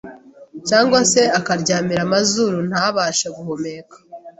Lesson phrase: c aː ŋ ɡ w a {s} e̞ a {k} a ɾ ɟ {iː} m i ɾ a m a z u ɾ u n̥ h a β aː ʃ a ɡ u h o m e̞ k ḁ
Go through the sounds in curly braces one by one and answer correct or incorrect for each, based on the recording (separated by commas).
correct, correct, incorrect